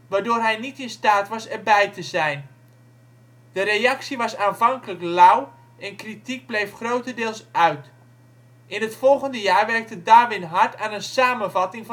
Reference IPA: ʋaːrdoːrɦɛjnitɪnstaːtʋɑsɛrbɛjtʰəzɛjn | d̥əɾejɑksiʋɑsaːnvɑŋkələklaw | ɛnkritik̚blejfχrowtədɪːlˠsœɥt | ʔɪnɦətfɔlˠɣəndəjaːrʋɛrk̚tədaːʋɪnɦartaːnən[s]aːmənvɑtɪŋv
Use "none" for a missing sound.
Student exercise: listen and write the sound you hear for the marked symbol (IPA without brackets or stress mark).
s